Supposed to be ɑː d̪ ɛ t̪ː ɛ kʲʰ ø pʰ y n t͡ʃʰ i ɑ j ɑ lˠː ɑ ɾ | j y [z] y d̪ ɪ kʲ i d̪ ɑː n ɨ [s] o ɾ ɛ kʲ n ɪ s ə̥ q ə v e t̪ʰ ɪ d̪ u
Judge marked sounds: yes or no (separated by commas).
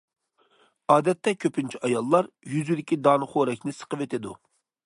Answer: yes, no